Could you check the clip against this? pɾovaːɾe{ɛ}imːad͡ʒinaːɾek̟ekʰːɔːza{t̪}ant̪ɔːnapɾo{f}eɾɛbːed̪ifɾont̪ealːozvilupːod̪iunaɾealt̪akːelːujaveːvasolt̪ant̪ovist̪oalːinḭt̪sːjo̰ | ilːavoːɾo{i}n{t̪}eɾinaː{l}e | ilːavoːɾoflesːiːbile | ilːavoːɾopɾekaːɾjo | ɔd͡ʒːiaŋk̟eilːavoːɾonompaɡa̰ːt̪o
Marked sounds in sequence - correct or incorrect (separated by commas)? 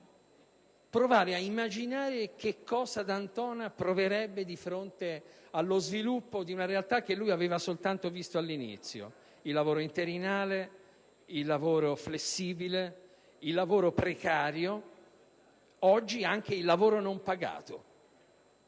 incorrect, incorrect, incorrect, correct, correct, correct